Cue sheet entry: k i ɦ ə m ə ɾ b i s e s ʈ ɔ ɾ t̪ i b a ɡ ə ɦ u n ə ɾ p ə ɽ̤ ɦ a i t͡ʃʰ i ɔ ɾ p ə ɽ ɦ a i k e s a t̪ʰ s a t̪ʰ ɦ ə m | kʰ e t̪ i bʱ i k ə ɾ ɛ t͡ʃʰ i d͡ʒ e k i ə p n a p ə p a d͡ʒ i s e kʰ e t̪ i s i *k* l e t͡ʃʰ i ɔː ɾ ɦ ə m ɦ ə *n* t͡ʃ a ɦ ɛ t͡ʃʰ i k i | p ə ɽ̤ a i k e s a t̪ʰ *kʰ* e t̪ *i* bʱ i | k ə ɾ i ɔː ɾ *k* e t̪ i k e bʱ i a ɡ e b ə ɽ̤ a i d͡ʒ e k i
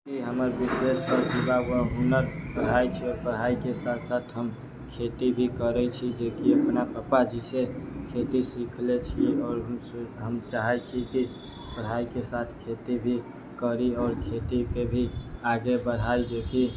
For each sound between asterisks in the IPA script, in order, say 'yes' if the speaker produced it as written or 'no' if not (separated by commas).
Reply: no, no, yes, yes, no